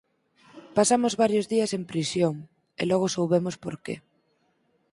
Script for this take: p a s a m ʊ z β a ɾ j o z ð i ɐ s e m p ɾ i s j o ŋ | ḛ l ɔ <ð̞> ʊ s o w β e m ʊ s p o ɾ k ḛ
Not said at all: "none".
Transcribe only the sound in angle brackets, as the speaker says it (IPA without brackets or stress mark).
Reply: ɣ̞